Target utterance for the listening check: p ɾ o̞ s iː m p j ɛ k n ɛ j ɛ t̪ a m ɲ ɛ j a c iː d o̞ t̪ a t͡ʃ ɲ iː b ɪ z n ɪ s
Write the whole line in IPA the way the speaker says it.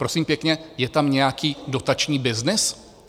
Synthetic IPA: p ɾ o̞ s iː m p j ɛ k ɲ ɛ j ɛ t̪ a m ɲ ɛ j a k iː d o̞ t̪ a t͡ʃ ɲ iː b ɪ z n ɪ s